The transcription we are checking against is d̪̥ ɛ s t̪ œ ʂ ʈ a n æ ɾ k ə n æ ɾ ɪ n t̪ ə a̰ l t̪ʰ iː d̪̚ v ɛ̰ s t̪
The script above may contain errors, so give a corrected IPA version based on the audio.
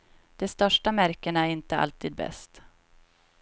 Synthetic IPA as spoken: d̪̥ ɛ s t̪ œ ʂ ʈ a m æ ɾ k ə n æ ɾ ɪ n t̪ ə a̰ l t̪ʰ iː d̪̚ b ɛ̰ s t̪